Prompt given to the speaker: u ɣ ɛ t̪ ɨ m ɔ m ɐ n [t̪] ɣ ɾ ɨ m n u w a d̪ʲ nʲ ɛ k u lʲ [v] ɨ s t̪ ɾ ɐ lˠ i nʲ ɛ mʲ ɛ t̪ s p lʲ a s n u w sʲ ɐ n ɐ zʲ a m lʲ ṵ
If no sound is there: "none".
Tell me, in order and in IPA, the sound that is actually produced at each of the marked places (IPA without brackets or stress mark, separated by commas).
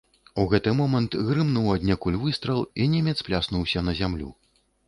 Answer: t̪, v